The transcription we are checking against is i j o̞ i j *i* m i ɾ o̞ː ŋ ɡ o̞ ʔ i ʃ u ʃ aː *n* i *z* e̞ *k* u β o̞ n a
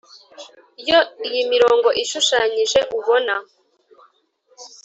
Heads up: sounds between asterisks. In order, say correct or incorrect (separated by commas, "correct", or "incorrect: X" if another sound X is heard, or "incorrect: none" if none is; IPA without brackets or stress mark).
correct, incorrect: ɲ, incorrect: ʒ, incorrect: ʔ